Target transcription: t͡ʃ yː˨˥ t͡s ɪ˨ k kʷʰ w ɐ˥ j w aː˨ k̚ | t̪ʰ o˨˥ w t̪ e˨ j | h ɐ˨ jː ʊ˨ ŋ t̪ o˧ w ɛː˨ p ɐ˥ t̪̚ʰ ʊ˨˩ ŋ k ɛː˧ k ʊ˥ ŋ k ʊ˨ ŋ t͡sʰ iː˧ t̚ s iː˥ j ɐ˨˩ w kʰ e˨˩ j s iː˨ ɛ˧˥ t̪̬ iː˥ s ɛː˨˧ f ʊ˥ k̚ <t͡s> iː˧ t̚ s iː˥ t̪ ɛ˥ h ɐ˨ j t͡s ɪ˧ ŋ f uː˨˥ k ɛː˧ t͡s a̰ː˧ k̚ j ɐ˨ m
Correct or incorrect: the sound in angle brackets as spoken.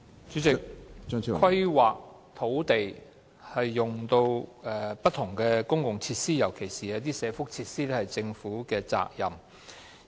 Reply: incorrect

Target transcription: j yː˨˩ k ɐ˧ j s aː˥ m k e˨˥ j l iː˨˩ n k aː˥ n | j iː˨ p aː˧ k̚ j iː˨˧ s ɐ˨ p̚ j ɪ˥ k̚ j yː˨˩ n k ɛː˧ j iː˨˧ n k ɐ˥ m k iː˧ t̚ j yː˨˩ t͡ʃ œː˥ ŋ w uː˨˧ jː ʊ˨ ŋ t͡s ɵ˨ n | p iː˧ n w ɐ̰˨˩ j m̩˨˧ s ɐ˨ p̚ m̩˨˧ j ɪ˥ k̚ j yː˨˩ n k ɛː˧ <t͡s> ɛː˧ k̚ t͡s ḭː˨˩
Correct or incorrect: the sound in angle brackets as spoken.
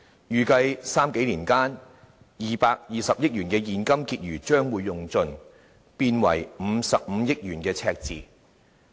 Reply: incorrect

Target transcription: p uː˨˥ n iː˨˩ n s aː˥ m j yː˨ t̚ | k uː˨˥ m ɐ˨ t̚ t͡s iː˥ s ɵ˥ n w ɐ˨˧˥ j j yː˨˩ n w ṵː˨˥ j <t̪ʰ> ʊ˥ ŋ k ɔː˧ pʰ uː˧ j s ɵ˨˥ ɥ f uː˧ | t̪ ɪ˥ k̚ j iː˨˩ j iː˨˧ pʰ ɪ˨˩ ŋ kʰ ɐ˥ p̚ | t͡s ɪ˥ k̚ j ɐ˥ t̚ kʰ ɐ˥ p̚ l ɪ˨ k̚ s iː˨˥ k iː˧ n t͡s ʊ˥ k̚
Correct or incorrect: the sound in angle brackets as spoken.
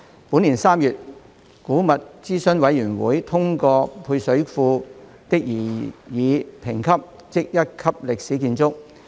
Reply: correct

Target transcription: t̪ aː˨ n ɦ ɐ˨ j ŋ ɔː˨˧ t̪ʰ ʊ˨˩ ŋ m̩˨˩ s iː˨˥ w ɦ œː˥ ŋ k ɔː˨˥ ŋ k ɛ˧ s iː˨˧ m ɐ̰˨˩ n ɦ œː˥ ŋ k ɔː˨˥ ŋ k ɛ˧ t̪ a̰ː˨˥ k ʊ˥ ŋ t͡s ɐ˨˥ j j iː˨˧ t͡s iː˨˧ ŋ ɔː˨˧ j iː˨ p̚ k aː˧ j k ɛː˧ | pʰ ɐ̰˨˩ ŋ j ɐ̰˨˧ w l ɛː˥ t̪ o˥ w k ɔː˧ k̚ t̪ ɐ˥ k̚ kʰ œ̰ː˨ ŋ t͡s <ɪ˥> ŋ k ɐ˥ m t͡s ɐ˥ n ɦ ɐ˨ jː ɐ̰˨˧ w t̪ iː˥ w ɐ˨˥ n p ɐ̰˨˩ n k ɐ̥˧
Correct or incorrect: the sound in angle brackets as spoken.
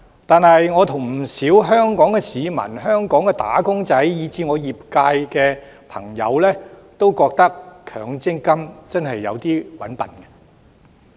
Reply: correct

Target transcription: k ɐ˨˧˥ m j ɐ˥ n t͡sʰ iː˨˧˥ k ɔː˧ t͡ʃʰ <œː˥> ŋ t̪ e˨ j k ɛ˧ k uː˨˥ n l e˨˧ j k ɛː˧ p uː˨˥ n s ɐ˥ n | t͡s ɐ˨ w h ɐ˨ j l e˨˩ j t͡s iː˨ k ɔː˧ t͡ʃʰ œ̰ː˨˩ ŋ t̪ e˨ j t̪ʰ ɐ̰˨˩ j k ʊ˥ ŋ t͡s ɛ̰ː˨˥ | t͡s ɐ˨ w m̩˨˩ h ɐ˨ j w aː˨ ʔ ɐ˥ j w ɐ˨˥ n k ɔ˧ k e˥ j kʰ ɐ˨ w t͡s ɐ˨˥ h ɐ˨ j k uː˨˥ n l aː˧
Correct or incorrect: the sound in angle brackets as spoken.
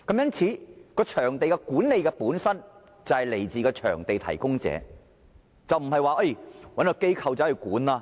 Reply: incorrect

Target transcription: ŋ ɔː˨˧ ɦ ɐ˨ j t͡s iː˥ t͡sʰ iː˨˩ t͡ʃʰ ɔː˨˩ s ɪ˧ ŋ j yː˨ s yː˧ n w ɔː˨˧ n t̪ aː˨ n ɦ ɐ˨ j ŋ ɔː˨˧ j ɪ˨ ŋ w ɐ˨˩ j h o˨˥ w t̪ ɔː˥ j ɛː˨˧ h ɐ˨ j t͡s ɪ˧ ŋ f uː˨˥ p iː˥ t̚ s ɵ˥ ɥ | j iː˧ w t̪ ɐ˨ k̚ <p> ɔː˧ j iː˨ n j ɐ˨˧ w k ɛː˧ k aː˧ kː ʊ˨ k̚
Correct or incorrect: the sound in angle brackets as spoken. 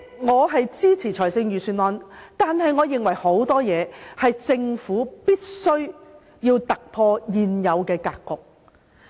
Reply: incorrect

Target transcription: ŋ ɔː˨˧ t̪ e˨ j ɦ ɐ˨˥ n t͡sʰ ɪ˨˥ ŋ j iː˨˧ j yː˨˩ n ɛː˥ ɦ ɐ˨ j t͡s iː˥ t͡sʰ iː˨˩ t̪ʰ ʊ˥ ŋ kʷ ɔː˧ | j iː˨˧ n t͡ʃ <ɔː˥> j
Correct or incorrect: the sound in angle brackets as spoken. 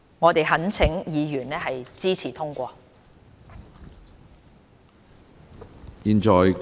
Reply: incorrect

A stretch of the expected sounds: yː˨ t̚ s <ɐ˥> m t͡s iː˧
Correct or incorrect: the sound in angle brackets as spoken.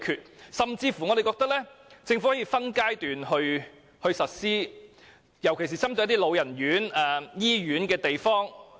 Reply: incorrect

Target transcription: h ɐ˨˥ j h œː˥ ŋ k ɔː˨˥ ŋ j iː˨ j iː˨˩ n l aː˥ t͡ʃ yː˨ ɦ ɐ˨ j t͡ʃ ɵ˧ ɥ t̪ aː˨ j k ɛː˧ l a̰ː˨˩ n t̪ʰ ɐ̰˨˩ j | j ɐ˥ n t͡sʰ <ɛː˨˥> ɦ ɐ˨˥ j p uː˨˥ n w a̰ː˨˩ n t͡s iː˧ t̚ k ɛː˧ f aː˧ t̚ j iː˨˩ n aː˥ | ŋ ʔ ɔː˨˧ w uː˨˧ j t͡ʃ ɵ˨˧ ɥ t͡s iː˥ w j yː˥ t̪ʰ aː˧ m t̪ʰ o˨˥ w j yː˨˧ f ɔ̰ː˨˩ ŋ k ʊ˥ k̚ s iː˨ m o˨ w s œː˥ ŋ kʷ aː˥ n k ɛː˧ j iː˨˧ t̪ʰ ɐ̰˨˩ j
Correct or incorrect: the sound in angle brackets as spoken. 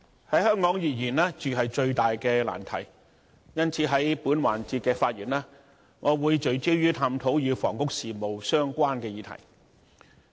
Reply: incorrect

